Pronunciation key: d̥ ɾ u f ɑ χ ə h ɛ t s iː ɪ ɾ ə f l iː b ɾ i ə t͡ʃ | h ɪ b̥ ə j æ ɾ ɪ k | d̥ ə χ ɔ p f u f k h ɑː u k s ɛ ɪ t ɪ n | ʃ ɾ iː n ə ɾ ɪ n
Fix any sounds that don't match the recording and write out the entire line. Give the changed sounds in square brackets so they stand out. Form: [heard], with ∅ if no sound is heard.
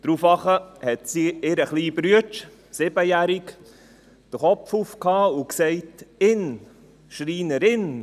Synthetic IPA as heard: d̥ ɾ u f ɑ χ ə h ɛ t s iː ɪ ɾ ə [χ] l iː b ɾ [y] ə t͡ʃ | [s] ɪ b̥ ə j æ ɾ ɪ k | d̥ ə χ ɔ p f u f k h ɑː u k s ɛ ɪ t ɪ n | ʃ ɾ iː n ə ɾ ɪ n